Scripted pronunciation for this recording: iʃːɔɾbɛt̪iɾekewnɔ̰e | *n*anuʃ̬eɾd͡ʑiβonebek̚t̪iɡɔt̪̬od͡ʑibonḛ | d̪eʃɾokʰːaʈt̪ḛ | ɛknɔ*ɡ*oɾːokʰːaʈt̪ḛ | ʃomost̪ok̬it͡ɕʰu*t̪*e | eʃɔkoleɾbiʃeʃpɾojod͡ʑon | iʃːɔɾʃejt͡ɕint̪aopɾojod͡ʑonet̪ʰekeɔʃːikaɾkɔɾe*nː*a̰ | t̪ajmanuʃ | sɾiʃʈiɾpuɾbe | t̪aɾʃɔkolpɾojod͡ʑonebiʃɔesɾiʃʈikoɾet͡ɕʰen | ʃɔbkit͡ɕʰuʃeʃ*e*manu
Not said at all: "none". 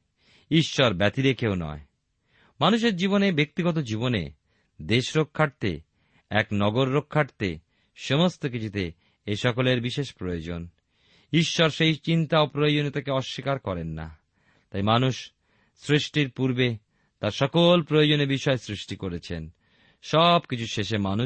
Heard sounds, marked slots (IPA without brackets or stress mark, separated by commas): m, ɡ, t̪, nː, e